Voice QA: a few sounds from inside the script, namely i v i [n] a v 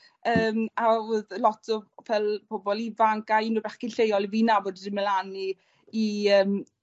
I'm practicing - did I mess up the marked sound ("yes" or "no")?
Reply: no